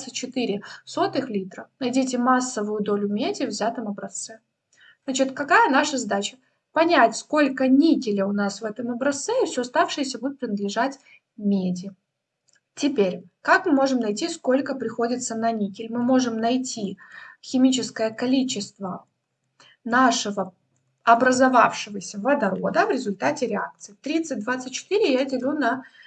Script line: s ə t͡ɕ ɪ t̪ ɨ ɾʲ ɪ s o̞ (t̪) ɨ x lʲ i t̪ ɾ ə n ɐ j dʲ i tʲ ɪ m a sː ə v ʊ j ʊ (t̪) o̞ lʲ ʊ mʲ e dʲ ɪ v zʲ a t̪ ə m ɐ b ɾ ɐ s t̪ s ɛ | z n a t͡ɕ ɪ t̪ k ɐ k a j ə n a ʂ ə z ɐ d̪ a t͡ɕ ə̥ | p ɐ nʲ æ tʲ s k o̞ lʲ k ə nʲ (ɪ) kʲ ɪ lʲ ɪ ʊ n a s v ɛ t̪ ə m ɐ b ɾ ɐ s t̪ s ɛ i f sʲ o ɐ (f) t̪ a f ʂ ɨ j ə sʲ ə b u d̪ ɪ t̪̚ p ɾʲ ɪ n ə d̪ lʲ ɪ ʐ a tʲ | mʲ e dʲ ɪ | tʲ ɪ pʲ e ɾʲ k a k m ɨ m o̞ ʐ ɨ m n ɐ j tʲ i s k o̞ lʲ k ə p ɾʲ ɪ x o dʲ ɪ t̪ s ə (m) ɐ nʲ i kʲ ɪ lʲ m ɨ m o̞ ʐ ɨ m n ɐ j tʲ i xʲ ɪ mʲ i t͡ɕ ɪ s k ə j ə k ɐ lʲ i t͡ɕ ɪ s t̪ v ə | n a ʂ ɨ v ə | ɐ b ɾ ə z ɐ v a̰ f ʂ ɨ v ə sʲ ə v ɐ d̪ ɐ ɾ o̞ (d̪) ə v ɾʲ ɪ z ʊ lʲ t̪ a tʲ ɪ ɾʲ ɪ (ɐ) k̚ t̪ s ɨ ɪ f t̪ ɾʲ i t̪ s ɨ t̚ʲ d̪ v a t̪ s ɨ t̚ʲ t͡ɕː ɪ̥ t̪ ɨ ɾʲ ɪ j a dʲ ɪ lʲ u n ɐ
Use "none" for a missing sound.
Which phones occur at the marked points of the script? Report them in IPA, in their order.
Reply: t̪, d̪, i, s, n, d̪, a

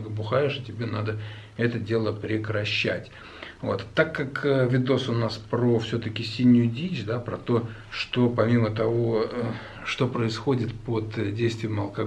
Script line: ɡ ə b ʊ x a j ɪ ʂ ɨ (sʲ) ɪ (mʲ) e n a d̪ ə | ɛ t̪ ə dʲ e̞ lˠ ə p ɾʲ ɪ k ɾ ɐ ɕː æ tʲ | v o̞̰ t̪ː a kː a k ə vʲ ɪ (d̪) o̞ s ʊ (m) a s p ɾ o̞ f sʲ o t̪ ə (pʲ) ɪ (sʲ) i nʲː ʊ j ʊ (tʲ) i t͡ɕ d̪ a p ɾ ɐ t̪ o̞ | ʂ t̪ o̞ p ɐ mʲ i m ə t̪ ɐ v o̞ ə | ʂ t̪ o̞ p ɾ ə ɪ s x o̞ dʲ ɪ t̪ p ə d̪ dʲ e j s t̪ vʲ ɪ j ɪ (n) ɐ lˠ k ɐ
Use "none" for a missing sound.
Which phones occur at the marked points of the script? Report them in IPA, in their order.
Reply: tʲ, bʲ, d̪, n, kʲ, sʲ, dʲ, m

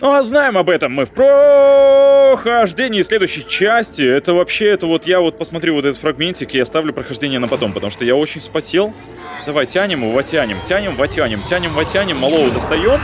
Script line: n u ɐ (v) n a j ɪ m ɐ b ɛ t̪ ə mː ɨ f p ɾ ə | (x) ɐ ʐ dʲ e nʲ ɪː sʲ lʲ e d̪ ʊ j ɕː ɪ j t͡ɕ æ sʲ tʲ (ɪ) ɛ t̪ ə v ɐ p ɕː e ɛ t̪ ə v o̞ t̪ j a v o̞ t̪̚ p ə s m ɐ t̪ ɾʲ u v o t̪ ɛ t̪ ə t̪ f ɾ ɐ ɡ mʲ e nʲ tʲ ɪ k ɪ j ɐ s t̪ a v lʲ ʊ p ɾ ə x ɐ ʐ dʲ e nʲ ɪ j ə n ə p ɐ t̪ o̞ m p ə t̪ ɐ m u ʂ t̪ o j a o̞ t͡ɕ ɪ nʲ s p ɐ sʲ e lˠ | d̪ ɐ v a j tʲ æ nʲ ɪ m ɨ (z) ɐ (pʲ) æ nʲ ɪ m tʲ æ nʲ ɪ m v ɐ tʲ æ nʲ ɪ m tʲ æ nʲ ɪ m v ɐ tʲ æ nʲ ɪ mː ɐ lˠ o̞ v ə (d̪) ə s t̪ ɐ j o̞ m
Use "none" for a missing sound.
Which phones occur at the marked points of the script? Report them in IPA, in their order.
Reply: z, x, ɪ, v, tʲ, d̪

